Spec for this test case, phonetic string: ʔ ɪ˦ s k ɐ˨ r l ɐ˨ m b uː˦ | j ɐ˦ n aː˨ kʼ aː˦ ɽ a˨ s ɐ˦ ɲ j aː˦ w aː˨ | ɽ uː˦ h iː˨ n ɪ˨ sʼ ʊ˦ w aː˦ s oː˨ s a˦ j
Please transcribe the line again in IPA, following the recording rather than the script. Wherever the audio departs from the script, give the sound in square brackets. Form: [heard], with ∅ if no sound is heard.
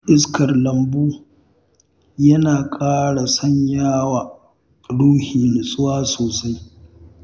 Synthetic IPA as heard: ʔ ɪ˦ s k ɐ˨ r l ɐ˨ m b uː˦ | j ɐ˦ n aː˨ kʼ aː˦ ɽ a˨ s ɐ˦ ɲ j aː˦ w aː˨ | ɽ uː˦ h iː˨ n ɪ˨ sʼ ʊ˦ w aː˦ s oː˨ s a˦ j